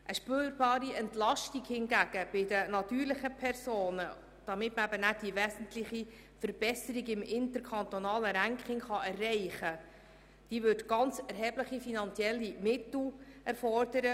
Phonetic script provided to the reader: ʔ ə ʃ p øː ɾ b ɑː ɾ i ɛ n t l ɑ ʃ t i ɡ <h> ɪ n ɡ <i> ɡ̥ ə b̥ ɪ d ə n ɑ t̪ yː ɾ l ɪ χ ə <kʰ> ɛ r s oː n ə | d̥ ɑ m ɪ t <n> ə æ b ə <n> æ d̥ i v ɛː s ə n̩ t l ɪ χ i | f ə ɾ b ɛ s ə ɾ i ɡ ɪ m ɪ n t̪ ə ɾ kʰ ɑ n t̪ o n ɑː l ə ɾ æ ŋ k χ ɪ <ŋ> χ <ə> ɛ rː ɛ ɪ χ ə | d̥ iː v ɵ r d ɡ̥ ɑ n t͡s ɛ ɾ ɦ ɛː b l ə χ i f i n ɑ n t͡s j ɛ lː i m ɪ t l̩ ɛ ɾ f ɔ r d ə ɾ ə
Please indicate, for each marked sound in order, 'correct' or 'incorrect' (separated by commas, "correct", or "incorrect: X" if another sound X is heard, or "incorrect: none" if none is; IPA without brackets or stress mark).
correct, incorrect: æ, incorrect: pʰ, incorrect: m, correct, correct, incorrect: ɑ